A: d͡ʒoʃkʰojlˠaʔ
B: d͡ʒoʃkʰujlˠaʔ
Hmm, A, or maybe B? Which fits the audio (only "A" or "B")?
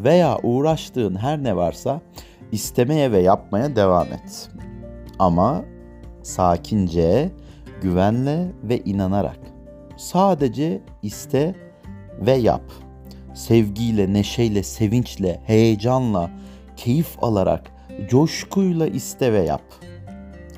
B